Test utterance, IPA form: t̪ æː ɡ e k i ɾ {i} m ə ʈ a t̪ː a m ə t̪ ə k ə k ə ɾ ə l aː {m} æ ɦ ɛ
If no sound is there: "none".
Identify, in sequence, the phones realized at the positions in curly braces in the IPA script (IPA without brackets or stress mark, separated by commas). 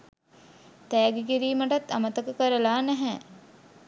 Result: iː, n